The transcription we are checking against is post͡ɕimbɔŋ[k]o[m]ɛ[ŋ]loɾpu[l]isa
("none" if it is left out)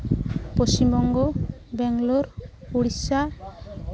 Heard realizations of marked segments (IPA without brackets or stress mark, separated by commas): ɡ, b, ŋ, ɽ